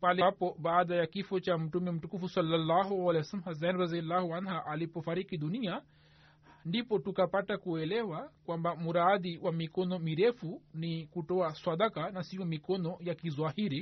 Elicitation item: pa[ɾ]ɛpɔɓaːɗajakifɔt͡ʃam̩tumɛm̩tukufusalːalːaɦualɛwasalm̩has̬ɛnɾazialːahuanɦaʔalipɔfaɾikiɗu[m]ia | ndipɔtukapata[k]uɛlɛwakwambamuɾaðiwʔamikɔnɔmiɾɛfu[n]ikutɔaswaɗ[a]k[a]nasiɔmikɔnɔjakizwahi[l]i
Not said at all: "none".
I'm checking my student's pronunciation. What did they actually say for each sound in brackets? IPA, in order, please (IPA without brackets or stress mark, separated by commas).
l, n, k, n, a, a, ɾ